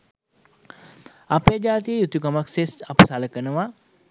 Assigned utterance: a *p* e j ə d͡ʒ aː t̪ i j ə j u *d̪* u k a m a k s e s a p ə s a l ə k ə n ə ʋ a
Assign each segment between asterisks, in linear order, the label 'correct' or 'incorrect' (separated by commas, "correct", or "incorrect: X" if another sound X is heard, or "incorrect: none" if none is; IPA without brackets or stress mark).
correct, incorrect: t̪